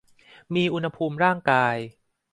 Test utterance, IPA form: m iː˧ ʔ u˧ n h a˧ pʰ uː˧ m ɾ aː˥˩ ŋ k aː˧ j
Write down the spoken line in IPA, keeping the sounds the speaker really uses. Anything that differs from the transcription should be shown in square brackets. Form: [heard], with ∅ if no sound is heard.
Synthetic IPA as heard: m iː˧ ʔ u˧ n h a˧ pʰ uː˧ m ɾ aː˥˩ ŋ k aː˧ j